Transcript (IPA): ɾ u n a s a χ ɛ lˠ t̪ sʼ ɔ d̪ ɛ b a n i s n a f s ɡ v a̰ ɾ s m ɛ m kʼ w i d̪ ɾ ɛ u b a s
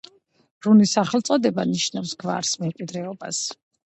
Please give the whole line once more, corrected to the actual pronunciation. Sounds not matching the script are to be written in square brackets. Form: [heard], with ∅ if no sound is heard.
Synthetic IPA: ɾ u n [i] s a χ ɛ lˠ t̪ sʼ ɔ d̪ ɛ b a n i [ʃ] n a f s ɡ v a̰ ɾ s m ɛ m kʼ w i d̪ ɾ ɛ [ɔ] b a s